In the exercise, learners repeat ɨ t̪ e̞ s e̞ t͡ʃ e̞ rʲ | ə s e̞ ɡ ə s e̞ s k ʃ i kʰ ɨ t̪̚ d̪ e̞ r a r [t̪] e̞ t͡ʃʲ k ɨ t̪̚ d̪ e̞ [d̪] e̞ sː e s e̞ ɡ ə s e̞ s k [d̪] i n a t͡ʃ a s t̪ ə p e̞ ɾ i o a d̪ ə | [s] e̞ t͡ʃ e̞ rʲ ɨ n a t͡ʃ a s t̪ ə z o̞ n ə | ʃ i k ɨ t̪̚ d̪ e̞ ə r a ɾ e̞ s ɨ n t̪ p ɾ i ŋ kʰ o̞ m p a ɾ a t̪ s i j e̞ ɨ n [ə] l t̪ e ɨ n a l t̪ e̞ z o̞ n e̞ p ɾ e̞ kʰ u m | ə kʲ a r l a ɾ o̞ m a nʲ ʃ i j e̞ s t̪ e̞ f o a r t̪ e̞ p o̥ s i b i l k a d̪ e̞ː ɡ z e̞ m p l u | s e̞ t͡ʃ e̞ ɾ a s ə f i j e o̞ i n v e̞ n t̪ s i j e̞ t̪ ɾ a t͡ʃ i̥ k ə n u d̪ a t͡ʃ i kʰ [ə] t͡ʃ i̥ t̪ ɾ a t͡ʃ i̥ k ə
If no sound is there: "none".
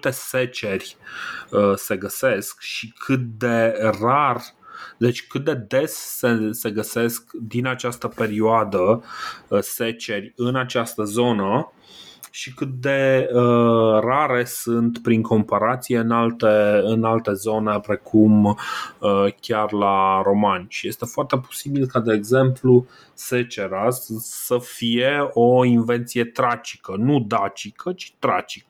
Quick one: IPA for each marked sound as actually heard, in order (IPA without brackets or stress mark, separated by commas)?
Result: d̪, d̪, d̪, s, a, ə